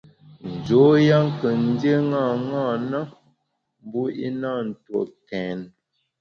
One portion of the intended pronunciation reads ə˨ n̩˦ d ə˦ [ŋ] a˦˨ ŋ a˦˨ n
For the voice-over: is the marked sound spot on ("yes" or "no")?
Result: yes